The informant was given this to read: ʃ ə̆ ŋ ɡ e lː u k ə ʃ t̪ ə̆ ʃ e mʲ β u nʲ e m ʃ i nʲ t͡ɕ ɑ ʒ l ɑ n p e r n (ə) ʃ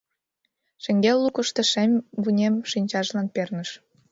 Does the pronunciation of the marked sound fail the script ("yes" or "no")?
no